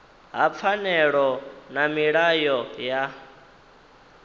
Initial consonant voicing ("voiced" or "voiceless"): voiced